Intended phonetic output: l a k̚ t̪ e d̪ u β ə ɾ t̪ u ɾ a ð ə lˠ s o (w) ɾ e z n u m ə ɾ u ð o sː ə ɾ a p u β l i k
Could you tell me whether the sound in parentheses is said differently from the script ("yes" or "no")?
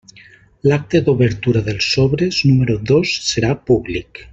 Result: yes